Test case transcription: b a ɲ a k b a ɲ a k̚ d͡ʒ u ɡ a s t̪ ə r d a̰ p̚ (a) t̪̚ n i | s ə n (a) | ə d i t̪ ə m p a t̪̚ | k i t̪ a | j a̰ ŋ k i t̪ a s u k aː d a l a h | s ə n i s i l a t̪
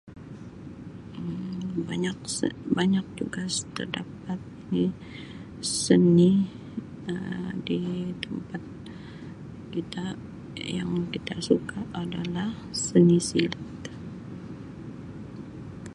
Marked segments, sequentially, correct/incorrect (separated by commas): correct, incorrect